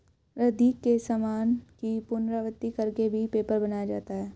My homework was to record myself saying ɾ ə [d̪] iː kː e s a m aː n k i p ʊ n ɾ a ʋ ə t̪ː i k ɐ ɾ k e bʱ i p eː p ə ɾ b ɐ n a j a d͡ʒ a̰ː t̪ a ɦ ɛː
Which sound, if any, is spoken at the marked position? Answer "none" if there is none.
d̪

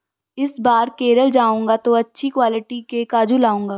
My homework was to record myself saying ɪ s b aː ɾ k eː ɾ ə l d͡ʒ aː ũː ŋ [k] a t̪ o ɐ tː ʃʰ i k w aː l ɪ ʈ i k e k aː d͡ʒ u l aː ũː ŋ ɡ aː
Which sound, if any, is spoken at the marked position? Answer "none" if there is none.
ɡ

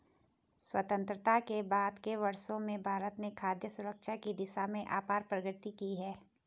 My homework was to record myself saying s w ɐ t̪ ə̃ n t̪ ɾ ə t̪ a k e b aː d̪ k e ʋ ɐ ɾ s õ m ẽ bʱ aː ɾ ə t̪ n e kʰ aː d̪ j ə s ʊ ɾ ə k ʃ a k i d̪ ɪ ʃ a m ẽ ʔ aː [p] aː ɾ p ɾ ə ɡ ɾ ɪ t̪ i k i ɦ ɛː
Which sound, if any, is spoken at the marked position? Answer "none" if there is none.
p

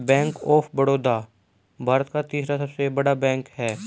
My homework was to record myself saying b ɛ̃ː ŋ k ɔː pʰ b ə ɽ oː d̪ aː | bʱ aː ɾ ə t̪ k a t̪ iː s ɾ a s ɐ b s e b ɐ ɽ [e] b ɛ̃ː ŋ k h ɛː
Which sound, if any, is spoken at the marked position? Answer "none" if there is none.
a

